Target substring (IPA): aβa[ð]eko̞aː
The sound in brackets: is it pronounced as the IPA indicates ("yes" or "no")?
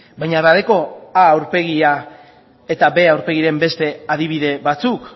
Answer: yes